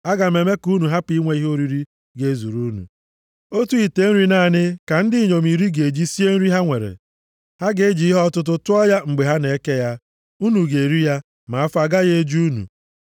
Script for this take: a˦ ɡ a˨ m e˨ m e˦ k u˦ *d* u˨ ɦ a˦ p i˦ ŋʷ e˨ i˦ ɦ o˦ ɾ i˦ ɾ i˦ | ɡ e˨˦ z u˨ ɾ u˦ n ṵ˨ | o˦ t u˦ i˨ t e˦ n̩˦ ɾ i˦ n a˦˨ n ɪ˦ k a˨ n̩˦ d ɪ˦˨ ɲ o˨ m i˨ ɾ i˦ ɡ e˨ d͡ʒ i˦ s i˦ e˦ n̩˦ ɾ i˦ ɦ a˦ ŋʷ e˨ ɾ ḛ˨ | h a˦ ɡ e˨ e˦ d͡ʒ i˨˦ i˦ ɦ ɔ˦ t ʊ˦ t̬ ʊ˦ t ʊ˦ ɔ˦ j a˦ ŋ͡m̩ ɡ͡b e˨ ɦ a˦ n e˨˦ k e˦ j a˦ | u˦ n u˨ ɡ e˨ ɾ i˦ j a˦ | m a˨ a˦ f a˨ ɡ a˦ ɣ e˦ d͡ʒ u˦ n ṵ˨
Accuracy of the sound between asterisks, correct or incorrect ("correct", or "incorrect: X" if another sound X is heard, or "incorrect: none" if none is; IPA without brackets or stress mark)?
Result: incorrect: n